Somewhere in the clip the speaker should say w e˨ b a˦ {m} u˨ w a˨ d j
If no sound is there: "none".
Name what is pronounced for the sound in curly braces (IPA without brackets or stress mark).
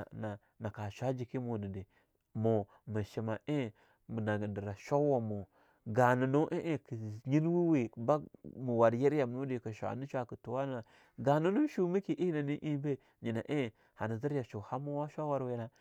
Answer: m